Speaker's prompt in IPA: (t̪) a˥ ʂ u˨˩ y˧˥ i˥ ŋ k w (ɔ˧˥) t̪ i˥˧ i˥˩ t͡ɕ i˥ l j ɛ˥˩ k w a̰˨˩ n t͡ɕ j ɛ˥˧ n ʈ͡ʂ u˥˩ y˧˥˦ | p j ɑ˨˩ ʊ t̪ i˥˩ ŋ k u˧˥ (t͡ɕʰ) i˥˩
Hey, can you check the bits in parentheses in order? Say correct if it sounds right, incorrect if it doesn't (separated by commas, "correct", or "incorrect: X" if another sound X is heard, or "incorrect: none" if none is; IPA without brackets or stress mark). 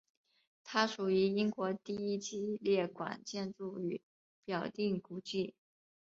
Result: incorrect: t̪ʰ, correct, incorrect: t͡ɕ